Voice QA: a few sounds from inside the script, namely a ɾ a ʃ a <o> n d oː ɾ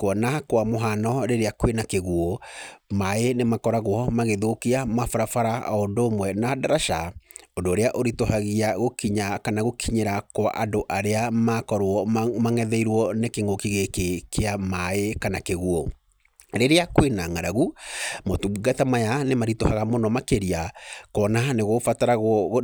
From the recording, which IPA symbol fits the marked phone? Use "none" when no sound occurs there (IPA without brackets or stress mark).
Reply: o